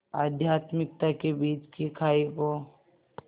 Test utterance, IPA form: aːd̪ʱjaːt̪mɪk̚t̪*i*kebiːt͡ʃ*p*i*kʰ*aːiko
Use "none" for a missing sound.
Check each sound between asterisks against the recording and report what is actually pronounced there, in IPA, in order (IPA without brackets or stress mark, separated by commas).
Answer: a, k, kʰ